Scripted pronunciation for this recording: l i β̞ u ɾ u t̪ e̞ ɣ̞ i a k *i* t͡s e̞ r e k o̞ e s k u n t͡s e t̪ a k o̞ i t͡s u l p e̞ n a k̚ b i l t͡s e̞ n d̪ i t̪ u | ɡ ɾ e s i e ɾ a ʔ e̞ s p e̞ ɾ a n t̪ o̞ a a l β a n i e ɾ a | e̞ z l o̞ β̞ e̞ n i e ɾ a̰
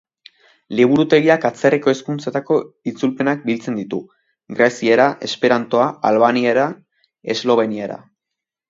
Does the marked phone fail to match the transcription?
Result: yes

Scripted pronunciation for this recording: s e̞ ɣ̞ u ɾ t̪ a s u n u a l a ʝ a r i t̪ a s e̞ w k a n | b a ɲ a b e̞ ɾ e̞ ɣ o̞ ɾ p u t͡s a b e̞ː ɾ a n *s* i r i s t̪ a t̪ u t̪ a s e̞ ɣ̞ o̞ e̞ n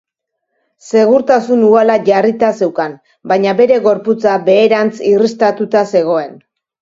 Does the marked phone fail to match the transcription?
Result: yes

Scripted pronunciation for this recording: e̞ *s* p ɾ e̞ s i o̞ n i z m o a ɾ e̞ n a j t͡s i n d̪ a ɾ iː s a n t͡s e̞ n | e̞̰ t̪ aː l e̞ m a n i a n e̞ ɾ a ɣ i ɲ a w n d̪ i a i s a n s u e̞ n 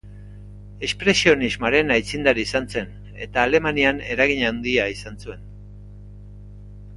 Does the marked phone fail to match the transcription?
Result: no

